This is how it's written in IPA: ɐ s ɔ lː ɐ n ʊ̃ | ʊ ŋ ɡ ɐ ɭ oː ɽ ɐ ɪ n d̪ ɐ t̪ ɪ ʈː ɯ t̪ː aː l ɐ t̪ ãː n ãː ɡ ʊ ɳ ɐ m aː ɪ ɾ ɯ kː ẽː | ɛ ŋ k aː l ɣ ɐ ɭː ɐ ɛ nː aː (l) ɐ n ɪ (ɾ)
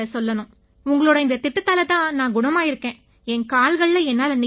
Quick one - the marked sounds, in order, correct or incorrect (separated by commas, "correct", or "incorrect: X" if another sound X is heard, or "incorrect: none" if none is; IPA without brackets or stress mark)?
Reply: correct, incorrect: none